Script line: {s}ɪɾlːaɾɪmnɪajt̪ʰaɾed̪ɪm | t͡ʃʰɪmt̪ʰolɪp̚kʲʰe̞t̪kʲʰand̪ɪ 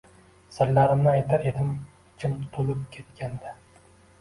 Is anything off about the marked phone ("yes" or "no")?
no